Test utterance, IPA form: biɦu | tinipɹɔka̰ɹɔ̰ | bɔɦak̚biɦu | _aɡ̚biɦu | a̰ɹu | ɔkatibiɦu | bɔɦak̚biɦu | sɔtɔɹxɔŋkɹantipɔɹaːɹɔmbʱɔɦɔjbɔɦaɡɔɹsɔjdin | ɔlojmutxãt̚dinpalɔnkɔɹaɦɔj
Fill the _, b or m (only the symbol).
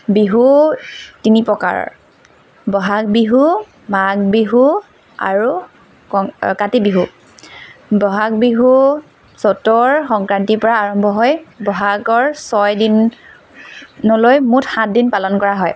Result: m